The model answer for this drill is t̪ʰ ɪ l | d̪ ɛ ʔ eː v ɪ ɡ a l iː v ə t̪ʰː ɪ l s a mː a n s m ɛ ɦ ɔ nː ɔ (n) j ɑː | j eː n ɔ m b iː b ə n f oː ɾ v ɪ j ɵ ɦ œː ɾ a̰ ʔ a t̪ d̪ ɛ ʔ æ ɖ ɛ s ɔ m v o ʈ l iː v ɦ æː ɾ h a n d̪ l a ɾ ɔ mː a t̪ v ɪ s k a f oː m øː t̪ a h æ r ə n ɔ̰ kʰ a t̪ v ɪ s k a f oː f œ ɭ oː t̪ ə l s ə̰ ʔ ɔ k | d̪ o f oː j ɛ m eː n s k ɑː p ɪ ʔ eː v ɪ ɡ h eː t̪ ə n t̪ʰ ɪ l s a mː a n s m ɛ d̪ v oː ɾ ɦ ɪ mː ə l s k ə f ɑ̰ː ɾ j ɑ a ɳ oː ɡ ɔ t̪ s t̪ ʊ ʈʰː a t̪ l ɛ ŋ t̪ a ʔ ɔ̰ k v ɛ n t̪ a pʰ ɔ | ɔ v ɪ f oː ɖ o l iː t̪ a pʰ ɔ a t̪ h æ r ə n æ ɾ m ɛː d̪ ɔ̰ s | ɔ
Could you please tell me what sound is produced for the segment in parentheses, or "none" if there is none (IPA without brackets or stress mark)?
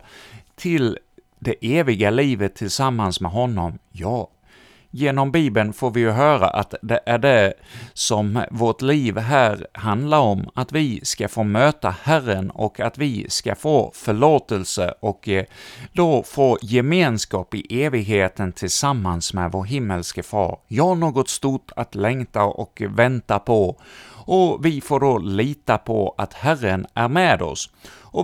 m